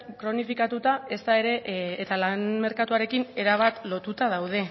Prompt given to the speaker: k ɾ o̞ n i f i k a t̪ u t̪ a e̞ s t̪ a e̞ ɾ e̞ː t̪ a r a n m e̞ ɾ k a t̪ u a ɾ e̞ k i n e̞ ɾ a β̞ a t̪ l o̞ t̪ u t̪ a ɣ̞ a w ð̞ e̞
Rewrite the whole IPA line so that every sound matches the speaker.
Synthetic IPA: k ɾ o̞ n i f i k a t̪ u t̪ a e̞ s t̪ a e̞ ɾ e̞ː t̪ a l a n m e̞ ɾ k a t̪ u a ɾ e̞ k i n e̞ ɾ a β̞ a t̪ l o̞ t̪ u t̪ a ð̞ a w ð̞ e̞